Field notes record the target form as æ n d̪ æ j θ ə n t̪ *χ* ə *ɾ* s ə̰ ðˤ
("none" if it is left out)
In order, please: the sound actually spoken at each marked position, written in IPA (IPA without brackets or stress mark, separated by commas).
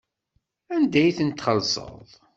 χ, l